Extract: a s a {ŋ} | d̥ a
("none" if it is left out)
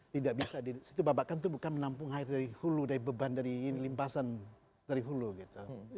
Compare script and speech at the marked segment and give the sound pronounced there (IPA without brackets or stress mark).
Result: n